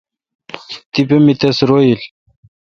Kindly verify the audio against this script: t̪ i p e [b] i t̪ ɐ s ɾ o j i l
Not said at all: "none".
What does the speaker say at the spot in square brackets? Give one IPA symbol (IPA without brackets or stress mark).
m